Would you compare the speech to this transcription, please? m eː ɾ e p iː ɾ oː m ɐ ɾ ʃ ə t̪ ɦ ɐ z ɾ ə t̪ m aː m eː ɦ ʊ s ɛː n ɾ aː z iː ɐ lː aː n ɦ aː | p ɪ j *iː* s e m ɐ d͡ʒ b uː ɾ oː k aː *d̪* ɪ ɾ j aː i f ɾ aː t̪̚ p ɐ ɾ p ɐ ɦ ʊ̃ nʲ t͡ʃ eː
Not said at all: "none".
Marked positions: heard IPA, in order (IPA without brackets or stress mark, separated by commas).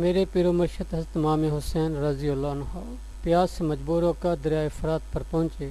aː, d̪